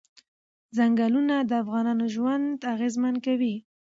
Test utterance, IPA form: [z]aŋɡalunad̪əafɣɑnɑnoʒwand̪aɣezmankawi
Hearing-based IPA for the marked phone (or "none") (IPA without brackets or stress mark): z